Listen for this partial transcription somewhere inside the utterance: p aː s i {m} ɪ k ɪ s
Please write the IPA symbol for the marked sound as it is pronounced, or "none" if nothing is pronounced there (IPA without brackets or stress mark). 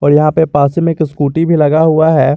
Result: m